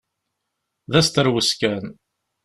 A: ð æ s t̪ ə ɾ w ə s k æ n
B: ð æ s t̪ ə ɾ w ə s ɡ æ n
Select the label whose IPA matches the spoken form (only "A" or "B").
A